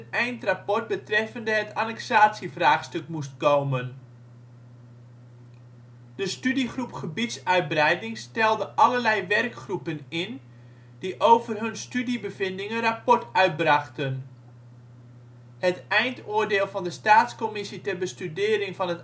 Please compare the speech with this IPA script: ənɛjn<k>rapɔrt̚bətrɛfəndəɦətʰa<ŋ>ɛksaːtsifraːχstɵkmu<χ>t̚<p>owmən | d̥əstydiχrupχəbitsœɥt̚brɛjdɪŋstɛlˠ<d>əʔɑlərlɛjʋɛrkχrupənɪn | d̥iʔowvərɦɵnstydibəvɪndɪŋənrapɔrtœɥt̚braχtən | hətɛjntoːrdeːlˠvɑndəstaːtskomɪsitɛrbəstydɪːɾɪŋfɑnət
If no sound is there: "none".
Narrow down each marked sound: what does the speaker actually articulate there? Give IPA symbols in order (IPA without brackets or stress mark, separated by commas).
t, n, s, k, d